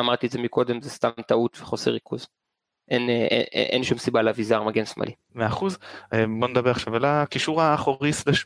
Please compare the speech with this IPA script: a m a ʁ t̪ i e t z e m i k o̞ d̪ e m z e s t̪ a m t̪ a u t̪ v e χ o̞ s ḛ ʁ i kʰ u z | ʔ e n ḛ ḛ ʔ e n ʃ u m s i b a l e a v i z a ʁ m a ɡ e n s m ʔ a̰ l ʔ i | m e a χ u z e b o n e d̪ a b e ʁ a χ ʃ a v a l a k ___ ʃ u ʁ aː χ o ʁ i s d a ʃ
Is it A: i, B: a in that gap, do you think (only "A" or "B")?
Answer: A